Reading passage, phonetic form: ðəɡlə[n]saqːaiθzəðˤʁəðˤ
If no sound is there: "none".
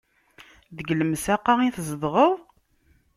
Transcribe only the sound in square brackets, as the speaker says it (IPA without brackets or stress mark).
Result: m